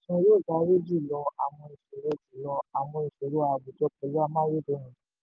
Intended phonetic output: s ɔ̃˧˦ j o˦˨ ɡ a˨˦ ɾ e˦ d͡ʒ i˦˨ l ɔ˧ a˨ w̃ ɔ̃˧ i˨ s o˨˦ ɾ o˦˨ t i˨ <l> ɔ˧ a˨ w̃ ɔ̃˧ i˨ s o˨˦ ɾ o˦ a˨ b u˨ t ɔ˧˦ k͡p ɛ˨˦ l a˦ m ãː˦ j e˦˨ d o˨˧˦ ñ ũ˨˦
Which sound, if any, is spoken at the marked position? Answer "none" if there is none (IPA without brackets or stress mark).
l